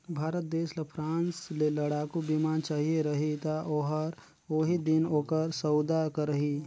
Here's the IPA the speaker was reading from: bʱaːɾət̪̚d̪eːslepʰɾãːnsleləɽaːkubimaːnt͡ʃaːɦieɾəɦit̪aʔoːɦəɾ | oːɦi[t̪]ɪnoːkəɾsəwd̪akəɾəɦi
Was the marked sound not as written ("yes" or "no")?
yes